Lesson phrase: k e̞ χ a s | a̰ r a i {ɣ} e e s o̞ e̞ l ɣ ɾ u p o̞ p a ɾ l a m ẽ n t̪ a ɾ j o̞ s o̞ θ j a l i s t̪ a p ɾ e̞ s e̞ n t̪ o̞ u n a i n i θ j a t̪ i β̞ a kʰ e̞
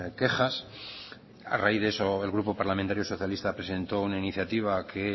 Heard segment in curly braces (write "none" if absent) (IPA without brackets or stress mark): ð